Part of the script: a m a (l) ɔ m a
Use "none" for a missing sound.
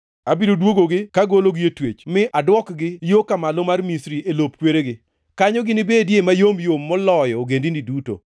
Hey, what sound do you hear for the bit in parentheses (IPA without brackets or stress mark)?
l